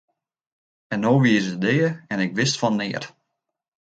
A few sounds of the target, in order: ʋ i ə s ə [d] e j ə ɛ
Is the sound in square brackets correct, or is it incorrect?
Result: correct